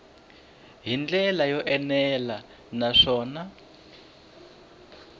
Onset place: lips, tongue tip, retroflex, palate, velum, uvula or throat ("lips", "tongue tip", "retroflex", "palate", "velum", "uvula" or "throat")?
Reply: throat